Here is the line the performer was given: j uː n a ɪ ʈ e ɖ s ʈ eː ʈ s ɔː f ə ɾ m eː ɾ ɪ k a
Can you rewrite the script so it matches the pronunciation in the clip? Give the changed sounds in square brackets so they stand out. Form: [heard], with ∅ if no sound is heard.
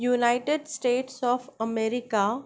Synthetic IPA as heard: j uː n a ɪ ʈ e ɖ s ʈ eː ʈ s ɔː f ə [∅] m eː ɾ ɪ k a